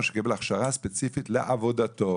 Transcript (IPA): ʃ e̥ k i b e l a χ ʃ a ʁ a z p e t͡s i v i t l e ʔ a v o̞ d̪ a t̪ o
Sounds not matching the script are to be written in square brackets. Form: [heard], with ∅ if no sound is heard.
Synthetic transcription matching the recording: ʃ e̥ k i b e l a χ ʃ a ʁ a [s] p e t͡s i [f] i t l e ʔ a v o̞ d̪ a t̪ o